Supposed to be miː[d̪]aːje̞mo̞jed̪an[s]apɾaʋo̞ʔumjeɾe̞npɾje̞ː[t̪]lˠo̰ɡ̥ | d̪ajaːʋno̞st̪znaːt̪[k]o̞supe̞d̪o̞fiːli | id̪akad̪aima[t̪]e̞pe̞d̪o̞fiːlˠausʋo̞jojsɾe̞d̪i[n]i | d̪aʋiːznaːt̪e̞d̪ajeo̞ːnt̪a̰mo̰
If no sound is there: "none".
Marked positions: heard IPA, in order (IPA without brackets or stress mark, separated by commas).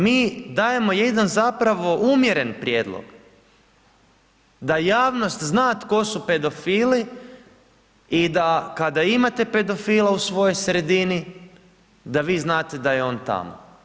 d̪, z, d̪, k, t̪, n